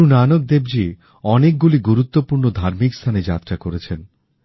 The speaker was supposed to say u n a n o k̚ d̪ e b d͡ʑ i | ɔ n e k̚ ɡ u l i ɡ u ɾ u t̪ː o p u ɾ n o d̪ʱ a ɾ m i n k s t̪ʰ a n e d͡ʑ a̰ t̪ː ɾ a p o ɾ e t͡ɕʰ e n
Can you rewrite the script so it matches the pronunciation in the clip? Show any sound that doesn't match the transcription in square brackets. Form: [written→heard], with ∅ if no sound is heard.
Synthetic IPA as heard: u n a n o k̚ d̪ e b d͡ʑ i | ɔ n e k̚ ɡ u l i ɡ u ɾ u t̪ː o p u ɾ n o d̪ʱ a ɾ m i [n→∅] k s t̪ʰ a n e d͡ʑ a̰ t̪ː ɾ a [p→k] o ɾ e t͡ɕʰ e n